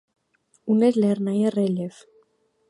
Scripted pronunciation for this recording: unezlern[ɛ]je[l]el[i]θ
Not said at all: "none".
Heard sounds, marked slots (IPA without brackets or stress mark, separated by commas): a, r, e